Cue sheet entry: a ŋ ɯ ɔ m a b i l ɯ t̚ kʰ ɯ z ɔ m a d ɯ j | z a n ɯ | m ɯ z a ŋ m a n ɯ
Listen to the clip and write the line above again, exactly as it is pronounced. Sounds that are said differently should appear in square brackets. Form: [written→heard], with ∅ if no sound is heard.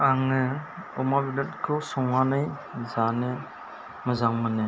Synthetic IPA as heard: a ŋ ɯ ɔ m a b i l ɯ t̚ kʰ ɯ [z→s] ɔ [m→ŋ] a [d→n] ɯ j | z a n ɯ | m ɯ z a ŋ m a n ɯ